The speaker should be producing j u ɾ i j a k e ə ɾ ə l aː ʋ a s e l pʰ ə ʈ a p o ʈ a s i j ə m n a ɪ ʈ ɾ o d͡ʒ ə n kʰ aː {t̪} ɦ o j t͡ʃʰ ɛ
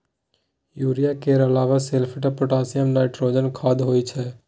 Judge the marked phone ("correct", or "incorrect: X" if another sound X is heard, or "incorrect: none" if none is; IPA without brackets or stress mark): incorrect: d̪